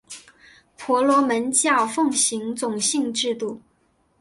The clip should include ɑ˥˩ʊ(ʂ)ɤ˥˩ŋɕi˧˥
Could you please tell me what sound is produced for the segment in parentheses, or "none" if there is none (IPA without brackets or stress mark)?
f